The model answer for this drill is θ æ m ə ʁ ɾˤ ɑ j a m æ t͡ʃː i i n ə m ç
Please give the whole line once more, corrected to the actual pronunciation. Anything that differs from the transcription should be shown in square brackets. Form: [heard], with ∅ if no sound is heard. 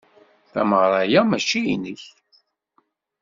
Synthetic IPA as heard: θ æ m ə ʁ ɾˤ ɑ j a m æ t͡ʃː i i n ə [∅] ç